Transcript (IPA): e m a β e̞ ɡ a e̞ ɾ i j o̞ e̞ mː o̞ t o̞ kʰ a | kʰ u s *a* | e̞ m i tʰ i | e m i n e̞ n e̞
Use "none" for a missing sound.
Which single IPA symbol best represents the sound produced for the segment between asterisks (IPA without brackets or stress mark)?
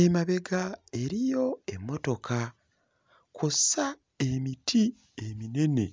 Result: a